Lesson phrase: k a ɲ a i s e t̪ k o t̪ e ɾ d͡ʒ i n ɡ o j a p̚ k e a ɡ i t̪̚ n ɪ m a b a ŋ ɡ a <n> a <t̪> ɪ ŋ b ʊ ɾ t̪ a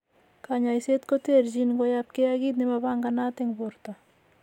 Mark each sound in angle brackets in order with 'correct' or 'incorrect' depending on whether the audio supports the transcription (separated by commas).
correct, correct